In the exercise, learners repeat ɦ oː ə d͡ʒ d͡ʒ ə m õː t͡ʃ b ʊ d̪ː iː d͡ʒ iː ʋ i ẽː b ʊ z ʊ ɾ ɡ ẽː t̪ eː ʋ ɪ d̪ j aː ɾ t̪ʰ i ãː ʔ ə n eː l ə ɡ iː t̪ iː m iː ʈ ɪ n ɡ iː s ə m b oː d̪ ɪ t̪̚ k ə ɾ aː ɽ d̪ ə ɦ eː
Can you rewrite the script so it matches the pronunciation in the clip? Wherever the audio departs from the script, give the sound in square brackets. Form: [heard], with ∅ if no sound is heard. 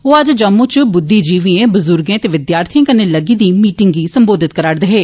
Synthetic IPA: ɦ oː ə d͡ʒ d͡ʒ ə m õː t͡ʃ b ʊ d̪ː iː d͡ʒ iː ʋ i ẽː b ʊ z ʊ ɾ ɡ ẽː t̪ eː ʋ ɪ d̪ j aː ɾ t̪ʰ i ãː [k] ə n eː l ə ɡ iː [d̪] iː m iː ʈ ɪ [ŋ] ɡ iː s ə m b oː d̪ ɪ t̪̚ k ə ɾ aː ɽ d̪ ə ɦ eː